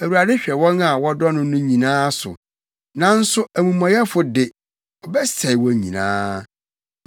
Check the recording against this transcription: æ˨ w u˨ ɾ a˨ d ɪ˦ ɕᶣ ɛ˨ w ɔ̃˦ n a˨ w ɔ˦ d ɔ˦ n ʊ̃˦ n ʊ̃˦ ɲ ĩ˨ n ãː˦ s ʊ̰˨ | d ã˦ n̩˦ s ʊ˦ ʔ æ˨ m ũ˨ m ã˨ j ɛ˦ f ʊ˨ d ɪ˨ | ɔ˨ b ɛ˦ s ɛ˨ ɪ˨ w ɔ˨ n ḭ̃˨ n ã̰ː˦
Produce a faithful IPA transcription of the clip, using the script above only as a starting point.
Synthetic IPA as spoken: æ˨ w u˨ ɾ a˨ d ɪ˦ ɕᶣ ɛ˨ w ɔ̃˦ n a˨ w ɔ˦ d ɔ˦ n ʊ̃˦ n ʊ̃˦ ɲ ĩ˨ n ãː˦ s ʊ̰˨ | n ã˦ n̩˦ s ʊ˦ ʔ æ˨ m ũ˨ m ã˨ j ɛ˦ f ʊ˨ d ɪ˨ | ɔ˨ b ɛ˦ s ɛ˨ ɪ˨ w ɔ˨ ɲ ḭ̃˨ n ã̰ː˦